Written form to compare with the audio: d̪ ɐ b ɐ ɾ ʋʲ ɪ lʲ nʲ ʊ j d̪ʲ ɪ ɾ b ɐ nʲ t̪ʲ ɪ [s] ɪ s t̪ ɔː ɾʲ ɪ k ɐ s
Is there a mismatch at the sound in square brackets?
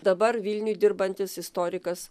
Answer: no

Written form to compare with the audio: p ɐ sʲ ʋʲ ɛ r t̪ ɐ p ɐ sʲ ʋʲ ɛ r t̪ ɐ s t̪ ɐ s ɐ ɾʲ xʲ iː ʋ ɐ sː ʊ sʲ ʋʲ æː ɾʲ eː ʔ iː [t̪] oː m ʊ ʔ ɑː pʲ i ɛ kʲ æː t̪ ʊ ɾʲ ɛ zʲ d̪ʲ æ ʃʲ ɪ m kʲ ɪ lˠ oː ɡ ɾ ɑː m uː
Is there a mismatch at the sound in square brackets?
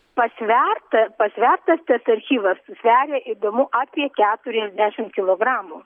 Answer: yes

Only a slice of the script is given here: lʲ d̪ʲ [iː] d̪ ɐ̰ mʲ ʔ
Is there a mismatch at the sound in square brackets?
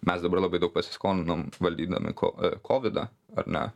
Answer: no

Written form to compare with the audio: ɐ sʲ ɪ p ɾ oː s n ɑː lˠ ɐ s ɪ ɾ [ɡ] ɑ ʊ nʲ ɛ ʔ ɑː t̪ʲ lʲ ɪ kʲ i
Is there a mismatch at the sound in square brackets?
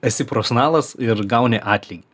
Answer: no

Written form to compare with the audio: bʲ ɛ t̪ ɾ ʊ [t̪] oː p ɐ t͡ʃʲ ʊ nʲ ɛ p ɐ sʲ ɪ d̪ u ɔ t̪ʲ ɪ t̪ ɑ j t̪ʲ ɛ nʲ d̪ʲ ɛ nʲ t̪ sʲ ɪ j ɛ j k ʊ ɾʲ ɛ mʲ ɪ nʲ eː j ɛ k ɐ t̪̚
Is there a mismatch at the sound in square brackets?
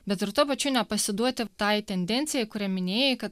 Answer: no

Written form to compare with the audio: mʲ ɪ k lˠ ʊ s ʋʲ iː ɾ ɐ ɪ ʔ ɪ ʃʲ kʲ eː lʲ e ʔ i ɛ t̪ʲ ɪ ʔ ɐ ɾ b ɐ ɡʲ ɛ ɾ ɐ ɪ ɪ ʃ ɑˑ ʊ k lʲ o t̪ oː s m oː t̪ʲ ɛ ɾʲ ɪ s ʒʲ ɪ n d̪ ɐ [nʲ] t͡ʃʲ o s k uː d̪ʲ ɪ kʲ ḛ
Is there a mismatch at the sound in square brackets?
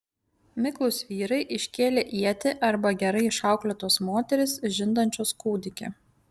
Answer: no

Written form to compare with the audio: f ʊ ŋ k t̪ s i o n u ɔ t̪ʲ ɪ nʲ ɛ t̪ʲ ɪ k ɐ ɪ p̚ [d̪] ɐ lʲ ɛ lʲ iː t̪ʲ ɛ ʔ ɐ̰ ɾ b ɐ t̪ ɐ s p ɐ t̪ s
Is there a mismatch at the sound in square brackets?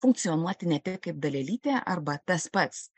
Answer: no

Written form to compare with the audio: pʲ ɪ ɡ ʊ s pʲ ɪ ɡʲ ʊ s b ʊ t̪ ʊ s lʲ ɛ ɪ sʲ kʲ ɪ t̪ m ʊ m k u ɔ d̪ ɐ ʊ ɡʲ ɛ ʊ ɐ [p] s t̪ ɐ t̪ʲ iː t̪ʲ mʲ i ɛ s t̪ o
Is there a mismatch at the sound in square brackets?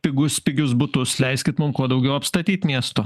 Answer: no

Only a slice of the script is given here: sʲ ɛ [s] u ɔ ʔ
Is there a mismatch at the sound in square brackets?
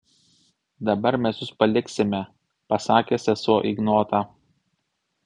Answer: no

